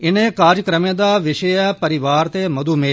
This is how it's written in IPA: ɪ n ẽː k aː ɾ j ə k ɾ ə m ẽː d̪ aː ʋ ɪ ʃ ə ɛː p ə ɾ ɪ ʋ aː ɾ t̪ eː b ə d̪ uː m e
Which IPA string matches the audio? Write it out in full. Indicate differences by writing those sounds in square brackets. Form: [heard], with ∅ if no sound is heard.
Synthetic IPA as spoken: ɪ n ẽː k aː ɾ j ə k ɾ ə m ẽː d̪ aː ʋ ɪ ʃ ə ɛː p ə ɾ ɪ ʋ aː ɾ t̪ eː [m] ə d̪ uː m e